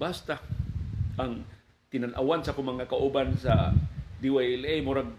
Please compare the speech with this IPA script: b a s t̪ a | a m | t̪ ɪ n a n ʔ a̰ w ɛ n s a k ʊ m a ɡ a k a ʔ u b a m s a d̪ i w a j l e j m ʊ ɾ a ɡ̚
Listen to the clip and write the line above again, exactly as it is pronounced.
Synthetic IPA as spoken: b a s t̪ a | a ŋ | t̪ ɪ n a n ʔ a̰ w a n s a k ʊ m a ŋ a k a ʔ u b a n s a d̪ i w a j l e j m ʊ ɾ a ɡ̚